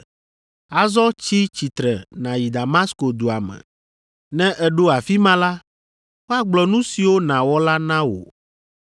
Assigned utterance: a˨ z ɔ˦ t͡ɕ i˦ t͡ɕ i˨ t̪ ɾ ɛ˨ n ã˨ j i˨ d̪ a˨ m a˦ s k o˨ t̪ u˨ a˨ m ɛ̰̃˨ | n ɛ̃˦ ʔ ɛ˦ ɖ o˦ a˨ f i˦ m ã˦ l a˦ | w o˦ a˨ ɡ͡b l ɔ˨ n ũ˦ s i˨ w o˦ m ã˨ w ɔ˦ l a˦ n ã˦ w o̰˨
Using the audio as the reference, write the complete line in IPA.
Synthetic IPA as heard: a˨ z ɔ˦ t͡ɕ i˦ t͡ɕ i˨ t̪ ɾ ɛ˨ n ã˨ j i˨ d̪ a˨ m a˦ s k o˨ d̪ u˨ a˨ m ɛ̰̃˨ | n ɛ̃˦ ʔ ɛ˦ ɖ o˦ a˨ f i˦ m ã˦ l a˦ | w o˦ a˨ ɡ͡b l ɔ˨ n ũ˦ s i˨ w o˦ n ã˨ w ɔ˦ l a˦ n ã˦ w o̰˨